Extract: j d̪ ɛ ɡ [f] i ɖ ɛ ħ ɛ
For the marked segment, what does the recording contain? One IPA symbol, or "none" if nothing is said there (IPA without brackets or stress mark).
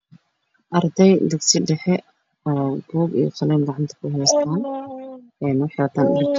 s